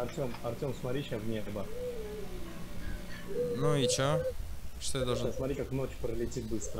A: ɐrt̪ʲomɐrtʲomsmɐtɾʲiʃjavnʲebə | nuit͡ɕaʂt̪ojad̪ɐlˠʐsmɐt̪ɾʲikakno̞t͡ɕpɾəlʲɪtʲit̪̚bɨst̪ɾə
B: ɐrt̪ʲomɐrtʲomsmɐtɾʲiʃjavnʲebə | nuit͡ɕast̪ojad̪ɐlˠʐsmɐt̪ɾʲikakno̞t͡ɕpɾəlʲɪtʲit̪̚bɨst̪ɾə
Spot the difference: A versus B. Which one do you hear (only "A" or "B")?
A